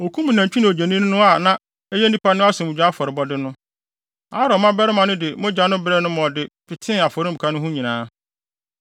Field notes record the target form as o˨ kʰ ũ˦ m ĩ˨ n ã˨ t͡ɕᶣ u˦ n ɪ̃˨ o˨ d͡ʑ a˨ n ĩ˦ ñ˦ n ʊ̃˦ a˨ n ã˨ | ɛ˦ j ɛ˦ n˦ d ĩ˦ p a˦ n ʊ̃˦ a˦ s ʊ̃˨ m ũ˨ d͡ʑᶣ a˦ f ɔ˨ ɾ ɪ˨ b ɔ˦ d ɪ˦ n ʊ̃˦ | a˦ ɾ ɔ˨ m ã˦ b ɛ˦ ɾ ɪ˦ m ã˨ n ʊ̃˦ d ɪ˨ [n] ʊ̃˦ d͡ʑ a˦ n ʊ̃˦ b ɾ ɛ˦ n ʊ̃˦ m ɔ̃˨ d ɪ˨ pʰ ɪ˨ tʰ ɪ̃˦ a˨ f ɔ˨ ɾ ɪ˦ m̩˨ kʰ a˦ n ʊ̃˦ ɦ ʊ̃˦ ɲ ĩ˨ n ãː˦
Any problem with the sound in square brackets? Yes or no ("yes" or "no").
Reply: yes